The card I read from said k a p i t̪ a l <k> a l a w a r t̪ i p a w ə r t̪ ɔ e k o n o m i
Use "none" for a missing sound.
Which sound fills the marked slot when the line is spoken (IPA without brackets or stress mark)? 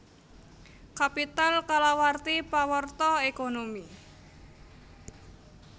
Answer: k